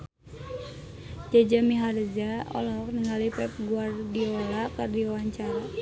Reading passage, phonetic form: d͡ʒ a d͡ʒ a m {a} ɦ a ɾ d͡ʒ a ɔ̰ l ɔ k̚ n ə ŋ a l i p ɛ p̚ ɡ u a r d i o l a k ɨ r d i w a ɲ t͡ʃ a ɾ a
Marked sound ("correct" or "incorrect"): incorrect